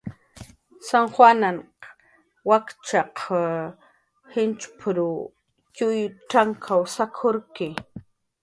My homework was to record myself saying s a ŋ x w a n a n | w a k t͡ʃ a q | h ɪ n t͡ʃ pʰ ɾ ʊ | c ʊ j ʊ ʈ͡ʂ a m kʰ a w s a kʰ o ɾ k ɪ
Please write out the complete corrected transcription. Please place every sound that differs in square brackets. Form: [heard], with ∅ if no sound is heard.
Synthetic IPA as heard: s a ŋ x w a n a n | w a k t͡ʃ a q | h ɪ n t͡ʃ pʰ ɾ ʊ | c ʊ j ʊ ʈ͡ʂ a [ŋ] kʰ a w s a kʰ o ɾ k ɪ